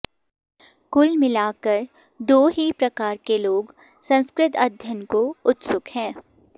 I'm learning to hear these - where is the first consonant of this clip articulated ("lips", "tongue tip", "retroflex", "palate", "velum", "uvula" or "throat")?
velum